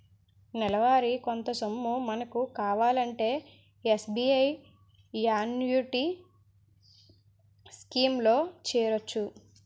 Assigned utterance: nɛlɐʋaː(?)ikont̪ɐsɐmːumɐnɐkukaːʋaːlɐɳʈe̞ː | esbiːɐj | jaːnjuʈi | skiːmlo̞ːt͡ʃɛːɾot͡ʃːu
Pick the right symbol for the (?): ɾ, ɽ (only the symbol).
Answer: ɾ